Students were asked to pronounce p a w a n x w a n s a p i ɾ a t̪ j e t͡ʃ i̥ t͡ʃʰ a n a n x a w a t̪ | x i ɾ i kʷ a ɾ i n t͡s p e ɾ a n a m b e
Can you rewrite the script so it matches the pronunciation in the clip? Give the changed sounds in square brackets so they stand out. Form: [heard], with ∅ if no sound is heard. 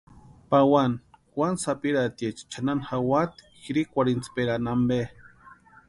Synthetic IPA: p a w a n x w a n s a p i ɾ a t̪ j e t͡ʃ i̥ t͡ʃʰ a n a n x a w a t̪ | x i ɾ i kʷ a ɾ i n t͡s p e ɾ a n a m b e